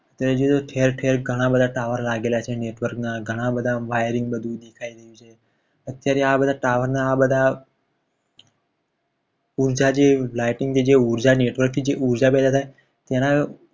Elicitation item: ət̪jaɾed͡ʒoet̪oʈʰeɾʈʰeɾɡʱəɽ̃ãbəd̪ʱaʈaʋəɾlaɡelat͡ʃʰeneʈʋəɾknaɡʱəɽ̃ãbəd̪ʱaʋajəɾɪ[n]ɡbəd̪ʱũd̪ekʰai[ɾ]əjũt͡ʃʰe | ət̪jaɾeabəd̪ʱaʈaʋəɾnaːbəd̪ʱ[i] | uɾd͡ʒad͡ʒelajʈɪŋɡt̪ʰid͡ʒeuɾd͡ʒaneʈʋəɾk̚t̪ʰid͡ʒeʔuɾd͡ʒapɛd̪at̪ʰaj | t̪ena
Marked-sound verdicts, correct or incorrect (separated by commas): incorrect, correct, incorrect